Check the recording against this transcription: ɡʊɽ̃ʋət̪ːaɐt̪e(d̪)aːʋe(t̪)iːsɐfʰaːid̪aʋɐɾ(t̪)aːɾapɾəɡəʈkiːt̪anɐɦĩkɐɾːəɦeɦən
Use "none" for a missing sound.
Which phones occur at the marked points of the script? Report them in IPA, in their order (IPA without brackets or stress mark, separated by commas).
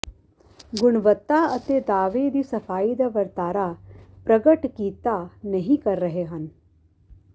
d̪, d̪, t̪